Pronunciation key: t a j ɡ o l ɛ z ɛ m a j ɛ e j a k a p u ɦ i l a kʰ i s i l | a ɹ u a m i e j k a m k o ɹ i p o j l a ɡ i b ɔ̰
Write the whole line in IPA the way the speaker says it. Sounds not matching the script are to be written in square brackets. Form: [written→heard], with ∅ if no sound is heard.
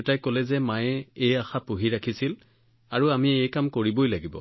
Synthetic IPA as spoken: t a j [ɡ→k] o l ɛ z ɛ m a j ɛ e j a [k→x] a p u ɦ i [l→ɹ] a kʰ i s i l | a ɹ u a m i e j k a m k o ɹ i [p→b] o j l a ɡ i b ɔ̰